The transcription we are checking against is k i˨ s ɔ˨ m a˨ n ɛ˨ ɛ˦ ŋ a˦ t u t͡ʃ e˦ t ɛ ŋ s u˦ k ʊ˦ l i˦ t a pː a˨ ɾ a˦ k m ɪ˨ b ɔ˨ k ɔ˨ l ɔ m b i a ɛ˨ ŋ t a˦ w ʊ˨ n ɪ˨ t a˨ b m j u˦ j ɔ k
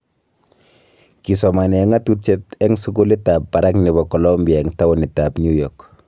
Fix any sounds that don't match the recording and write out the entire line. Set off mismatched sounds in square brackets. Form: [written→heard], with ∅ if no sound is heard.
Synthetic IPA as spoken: k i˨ s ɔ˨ m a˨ n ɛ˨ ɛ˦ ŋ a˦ t u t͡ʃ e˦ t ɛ ŋ s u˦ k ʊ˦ l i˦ t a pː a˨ ɾ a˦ k [m→n] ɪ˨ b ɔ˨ k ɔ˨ l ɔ m b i a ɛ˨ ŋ t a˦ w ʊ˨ n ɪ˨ t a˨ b [m→n] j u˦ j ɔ k